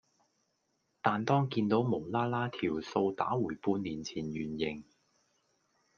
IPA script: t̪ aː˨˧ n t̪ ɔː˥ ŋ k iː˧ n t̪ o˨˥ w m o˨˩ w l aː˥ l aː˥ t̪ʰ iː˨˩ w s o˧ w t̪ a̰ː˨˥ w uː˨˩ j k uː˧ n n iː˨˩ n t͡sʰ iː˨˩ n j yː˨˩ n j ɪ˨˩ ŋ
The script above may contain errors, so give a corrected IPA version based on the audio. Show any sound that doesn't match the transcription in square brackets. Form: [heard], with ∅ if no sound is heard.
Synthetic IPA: t̪ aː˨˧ n t̪ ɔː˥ ŋ k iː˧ n t̪ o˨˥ w m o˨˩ w l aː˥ l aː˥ t̪ʰ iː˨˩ w s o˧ w t̪ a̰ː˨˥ w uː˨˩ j [p] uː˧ n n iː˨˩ n t͡sʰ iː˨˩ n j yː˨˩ n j ɪ˨˩ ŋ